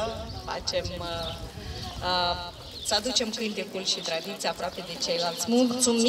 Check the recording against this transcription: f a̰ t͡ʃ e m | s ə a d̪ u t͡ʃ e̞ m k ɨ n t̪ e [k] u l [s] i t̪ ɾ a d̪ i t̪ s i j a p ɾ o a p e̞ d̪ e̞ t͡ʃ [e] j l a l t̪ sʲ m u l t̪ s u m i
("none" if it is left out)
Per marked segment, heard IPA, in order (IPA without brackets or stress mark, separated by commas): k, ʃ, e